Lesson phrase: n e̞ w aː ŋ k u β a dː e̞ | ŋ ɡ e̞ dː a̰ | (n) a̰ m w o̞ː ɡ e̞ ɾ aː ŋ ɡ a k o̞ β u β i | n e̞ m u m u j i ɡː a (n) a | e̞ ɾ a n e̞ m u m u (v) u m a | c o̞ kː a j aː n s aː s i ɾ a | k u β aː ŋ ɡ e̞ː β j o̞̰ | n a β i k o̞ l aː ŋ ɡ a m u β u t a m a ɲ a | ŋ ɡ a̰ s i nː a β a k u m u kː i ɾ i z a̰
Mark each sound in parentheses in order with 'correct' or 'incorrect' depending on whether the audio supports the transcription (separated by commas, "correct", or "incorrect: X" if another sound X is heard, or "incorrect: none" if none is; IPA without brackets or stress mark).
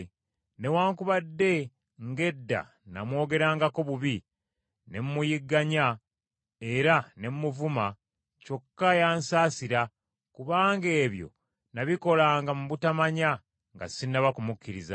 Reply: correct, incorrect: ɲ, correct